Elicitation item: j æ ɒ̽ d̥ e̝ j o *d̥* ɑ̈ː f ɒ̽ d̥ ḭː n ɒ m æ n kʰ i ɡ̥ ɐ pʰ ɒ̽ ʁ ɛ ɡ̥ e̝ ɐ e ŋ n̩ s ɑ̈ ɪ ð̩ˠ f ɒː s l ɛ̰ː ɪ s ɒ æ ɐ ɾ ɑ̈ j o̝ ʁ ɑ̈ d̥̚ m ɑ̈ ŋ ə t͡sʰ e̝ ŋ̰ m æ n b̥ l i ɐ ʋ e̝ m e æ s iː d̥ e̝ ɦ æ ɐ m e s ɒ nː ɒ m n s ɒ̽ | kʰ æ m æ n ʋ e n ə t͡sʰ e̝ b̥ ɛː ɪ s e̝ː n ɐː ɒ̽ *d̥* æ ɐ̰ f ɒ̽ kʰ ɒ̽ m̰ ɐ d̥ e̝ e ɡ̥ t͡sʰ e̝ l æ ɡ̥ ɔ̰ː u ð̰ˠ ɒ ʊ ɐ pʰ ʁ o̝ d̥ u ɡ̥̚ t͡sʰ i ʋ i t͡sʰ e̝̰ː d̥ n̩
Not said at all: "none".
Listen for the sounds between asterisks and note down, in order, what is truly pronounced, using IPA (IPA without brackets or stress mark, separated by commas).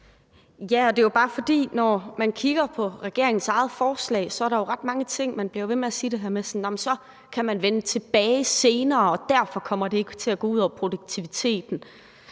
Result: b̥, d̥